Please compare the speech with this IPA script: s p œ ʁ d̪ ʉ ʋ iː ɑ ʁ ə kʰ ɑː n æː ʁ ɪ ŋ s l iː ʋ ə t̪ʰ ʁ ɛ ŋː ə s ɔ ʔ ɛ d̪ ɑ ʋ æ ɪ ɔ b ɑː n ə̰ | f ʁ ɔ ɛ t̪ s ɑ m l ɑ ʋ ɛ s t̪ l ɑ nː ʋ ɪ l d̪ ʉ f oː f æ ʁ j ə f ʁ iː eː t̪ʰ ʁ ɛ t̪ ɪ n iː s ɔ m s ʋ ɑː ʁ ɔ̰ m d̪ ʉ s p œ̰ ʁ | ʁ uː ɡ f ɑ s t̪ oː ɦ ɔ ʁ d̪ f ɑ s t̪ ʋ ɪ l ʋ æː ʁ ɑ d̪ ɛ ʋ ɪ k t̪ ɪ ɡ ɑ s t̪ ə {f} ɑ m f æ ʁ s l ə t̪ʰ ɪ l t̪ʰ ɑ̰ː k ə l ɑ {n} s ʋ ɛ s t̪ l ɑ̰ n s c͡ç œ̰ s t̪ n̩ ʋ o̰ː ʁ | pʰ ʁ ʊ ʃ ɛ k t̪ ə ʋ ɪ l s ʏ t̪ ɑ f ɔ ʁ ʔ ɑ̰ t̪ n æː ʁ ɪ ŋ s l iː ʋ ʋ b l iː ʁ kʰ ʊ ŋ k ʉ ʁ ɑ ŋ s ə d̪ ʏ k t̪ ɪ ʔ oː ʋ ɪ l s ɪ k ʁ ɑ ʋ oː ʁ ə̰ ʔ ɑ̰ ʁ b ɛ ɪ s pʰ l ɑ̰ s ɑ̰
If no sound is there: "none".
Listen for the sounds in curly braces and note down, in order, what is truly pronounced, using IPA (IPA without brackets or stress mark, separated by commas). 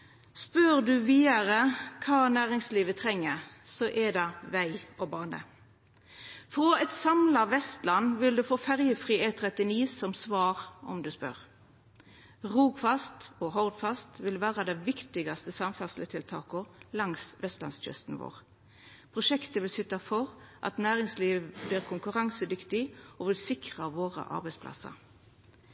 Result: s, ŋ